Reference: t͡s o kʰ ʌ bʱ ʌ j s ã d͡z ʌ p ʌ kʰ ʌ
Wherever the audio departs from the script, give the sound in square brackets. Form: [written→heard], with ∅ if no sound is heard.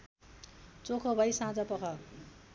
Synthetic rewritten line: t͡s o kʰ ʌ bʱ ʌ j s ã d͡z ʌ p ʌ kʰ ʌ